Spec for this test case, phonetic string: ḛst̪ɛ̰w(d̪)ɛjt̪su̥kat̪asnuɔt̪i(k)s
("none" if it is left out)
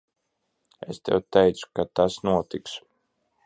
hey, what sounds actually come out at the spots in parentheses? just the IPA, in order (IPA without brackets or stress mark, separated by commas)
t̪, k